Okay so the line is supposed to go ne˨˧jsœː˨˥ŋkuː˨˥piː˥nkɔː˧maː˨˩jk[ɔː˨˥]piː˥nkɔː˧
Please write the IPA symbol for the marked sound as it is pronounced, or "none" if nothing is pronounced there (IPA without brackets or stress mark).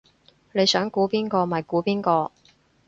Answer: uː˨˥